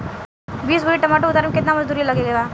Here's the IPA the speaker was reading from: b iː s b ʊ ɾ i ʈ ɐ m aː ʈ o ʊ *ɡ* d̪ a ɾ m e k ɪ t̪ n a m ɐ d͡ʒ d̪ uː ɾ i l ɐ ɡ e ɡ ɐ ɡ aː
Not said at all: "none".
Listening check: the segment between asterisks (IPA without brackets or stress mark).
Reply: none